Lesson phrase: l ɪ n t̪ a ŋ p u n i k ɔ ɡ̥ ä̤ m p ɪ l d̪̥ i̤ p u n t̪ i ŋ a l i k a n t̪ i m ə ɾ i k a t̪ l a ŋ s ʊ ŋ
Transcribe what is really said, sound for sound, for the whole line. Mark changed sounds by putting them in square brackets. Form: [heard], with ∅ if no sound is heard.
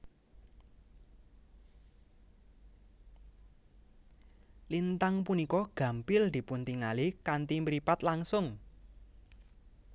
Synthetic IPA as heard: l [i] n t̪ a ŋ p u n i k ɔ ɡ̥ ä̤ m p ɪ l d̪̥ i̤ p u n t̪ i ŋ a l i k a n t̪ i m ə ɾ i [p] a t̪ l a ŋ s ʊ ŋ